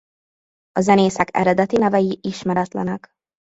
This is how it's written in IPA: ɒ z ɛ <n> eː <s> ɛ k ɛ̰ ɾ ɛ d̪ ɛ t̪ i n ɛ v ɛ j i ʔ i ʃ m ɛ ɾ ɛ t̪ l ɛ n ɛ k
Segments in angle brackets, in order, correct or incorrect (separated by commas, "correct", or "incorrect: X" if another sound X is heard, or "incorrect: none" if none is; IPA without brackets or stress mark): correct, correct